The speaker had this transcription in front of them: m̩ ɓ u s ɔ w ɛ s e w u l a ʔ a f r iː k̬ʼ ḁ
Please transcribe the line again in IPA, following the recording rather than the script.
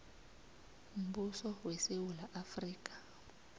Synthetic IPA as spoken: m̩ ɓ u s ɔ w ɛ s e w u l a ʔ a f r iː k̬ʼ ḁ

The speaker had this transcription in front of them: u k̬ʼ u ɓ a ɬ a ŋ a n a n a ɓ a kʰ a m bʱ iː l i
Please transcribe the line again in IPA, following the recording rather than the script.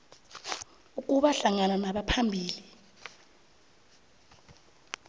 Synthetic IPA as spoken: u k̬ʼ u ɓ a ɬ a ŋ a n a n a ɓ a pʰ a m bʱ iː l i

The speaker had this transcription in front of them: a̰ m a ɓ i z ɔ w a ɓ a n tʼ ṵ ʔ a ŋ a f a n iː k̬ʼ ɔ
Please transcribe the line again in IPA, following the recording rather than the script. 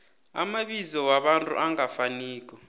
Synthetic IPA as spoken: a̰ m a ɓ i z ɔ w a ɓ a n tʼ ṵ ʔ a ŋ a f a n iː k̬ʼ ɔ

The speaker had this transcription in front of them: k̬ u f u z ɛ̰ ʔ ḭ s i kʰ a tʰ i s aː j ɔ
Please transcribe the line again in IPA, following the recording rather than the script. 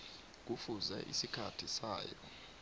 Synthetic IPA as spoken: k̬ u f u z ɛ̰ ʔ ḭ s i kʰ a tʰ i s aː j ɔ

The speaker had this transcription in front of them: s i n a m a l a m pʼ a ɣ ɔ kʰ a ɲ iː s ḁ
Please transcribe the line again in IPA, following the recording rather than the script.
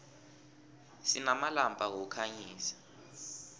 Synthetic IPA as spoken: s i n a m a l a m pʼ a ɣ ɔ kʰ a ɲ iː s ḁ

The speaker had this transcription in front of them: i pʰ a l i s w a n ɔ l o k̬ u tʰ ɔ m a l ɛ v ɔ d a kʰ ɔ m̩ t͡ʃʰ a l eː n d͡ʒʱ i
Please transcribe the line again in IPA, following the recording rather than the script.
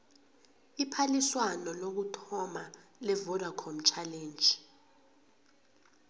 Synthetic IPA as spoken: i pʰ a l i s w a n ɔ l o k̬ u tʰ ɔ m a l ɛ v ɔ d a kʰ ɔ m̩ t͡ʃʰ a l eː n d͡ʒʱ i

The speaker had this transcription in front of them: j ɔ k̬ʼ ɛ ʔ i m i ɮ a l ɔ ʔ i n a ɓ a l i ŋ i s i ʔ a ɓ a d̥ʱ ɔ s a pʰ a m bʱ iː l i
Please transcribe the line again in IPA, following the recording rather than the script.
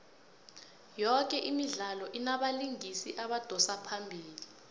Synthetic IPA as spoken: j ɔ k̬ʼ ɛ ʔ i m i ɮ a l ɔ ʔ i n a ɓ a l i ŋ i s i ʔ a ɓ a d̥ʱ ɔ s a pʰ a m bʱ iː l i

